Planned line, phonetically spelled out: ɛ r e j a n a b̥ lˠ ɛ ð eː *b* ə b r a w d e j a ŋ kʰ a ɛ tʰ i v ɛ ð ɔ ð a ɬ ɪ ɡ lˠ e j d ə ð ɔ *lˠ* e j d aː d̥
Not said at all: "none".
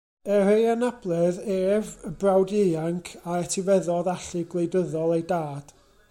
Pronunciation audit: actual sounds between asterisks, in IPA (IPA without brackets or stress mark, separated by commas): v, lˠ